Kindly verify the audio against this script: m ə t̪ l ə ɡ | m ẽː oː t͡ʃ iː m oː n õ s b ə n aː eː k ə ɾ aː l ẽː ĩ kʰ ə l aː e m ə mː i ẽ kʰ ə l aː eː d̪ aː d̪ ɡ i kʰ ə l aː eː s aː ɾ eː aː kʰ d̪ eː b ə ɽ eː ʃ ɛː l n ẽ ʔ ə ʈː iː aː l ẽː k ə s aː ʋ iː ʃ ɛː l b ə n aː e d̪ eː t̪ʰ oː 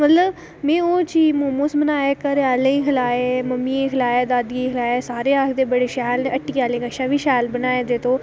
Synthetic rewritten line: m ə t̪ l ə b | m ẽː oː t͡ʃ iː m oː m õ s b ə n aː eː k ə ɾ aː l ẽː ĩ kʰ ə l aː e m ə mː i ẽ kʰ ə l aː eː d̪ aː d̪ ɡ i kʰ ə l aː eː s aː ɾ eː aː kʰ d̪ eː b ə ɽ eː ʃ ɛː l n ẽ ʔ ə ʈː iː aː l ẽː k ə ʃ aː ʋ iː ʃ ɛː l b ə n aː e d̪ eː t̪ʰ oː